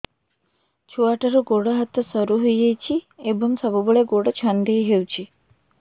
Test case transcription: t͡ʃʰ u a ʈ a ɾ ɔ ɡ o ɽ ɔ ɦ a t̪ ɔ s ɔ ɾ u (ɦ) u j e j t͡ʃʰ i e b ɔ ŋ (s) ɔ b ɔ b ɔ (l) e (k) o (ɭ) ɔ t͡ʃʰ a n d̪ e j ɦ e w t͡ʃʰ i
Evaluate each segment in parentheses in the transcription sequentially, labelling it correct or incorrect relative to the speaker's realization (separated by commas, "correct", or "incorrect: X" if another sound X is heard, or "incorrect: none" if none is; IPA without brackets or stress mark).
correct, correct, incorrect: ɭ, incorrect: ɡ, incorrect: ɽ